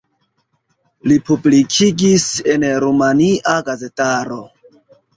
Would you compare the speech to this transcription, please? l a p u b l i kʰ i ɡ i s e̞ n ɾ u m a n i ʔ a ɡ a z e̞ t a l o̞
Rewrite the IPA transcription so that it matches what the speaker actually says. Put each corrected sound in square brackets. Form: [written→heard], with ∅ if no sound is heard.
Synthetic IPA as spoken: l [a→i] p u b l i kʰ i ɡ i s e̞ n ɾ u m a n i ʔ a ɡ a z e̞ t a [l→ɾ] o̞